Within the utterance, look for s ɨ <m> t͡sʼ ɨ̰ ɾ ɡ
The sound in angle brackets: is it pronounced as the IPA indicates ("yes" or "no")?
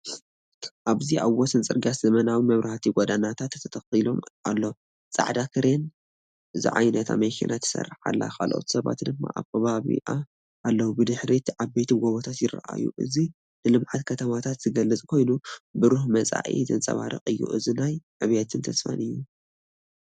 no